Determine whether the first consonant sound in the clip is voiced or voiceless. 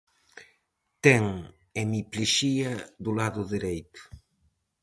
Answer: voiceless